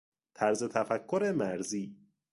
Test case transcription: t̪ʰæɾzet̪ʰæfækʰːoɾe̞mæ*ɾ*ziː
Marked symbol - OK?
yes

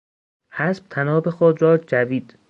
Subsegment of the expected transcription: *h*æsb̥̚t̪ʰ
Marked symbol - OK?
yes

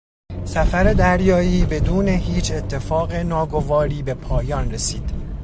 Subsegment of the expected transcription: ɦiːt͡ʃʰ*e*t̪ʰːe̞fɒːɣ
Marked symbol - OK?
yes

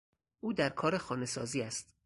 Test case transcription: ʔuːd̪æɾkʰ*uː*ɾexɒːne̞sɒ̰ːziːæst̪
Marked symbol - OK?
no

